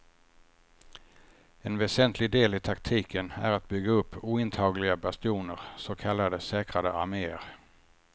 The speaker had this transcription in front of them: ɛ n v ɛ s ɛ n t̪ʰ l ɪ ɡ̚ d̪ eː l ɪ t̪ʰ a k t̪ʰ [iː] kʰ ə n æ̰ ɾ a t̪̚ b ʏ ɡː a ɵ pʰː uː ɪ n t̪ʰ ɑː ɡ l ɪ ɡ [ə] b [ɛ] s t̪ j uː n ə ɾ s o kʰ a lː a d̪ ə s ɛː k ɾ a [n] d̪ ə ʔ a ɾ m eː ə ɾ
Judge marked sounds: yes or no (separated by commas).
yes, no, no, no